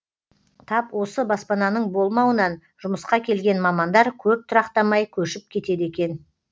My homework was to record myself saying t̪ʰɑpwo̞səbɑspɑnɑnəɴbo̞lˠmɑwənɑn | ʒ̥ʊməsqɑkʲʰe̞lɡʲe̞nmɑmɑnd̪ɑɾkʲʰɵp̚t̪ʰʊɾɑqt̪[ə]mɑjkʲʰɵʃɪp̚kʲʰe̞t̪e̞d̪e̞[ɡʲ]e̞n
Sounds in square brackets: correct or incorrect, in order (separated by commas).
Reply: incorrect, incorrect